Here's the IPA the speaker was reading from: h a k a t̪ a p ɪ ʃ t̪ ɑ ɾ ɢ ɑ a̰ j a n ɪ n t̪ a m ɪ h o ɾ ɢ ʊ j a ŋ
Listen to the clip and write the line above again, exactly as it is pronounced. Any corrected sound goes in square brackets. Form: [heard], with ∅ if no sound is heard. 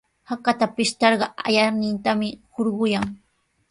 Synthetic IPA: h a k a t̪ a p ɪ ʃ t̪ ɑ ɾ ɢ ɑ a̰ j a n ɪ n t̪ a m ɪ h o ɾ ɢ ʊ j a ŋ

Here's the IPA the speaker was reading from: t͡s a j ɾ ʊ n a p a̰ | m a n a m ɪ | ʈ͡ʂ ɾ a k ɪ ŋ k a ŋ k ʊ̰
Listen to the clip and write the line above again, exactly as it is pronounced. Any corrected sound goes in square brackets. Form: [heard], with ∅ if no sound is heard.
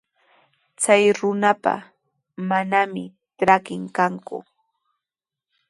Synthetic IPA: t͡s a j ɾ ʊ n a p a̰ | m a n a m ɪ | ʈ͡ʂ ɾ a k ɪ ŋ k a ŋ k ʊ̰

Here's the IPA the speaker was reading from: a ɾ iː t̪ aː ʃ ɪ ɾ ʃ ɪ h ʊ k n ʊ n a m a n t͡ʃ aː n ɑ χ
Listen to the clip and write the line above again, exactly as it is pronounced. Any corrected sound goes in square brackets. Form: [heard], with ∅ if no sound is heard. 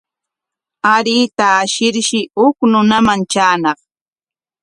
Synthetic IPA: a ɾ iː t̪ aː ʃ ɪ ɾ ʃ ɪ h ʊ k n ʊ n a m a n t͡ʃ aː n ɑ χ

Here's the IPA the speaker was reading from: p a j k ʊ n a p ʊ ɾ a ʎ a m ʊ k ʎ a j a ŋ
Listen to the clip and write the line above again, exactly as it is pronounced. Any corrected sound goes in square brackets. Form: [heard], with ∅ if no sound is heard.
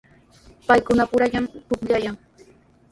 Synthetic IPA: p a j k ʊ n a p ʊ ɾ a ʎ a m ʊ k ʎ a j a ŋ

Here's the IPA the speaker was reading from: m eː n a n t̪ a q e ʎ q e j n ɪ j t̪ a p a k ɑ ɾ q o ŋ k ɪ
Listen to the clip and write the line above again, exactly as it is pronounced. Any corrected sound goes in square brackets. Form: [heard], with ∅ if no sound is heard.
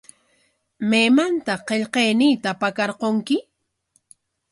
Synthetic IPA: m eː [m] a n t̪ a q e ʎ q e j n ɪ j t̪ a p a k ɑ ɾ q o ŋ k ɪ

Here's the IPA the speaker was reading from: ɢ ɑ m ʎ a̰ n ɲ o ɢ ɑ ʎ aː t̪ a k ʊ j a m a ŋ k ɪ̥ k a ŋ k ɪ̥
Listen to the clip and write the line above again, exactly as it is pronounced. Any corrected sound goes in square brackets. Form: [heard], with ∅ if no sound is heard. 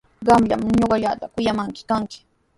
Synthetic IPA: ɢ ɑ m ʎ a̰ [m] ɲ o ɢ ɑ ʎ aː t̪ a k ʊ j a m a ŋ k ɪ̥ k a ŋ k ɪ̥

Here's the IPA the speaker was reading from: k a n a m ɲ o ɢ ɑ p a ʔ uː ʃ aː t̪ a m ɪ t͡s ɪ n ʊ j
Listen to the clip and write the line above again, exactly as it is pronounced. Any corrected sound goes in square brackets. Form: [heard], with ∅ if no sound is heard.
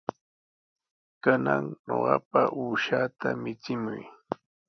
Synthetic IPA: k a n a [ŋ] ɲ o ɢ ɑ p a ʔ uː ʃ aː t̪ a m ɪ t͡s ɪ [m] ʊ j

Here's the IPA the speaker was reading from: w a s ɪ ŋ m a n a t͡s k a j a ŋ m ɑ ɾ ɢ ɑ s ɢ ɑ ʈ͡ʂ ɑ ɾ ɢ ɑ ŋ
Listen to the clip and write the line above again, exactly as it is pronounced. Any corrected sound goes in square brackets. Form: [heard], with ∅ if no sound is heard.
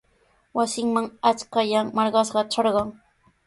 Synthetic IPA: w a s ɪ ŋ m a [ŋ] a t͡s k a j a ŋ m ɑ ɾ ɢ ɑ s ɢ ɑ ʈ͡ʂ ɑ ɾ ɢ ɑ ŋ

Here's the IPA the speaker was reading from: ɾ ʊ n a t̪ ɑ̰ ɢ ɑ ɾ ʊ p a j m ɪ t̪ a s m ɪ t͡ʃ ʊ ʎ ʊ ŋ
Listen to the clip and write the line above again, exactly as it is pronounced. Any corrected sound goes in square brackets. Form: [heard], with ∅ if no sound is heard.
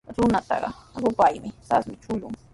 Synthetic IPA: ɾ ʊ n a t̪ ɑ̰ ɢ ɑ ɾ ʊ p a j m ɪ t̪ a s m ɪ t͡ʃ ʊ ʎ ʊ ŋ

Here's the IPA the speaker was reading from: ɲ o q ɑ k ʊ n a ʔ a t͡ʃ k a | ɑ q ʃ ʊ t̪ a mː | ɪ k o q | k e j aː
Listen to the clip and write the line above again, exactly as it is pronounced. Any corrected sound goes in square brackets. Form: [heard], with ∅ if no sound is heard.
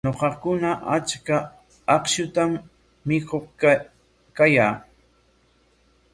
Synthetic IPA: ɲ o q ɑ k ʊ n a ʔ a t͡ʃ k a | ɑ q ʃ ʊ t̪ a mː | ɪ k o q | k [a] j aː

